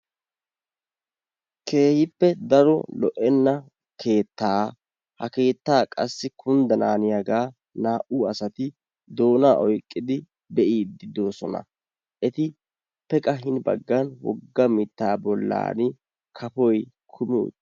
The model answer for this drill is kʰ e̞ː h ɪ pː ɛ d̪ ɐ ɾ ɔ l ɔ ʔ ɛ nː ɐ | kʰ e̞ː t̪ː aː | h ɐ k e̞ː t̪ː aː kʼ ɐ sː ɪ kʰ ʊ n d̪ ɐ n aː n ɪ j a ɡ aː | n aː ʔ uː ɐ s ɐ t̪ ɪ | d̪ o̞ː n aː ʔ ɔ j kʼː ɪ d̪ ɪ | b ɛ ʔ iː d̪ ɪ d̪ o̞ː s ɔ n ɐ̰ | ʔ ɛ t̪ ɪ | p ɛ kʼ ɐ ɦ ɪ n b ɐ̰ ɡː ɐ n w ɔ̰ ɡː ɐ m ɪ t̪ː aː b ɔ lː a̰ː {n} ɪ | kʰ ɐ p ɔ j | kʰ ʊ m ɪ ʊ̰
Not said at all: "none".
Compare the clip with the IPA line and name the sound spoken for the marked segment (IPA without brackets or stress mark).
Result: n